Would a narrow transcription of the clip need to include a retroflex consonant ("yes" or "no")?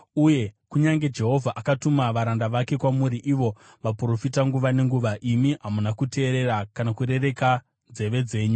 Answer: no